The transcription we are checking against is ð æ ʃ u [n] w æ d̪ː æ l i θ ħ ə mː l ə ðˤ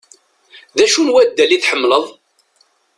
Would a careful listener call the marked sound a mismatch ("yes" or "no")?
no